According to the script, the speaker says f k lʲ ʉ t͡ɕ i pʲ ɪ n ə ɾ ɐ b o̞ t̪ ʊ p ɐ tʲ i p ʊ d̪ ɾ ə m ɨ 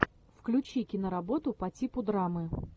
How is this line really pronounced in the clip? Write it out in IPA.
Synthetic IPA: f k lʲ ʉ t͡ɕ i kʲ ɪ n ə ɾ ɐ b o̞ t̪ ʊ p ɐ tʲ i p ʊ d̪ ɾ a m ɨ